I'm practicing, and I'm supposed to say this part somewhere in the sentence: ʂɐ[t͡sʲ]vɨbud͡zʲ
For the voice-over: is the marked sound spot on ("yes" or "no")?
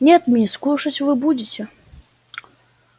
yes